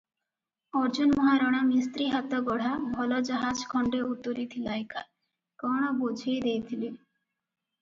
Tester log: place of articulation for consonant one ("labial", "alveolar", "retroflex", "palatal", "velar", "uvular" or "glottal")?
alveolar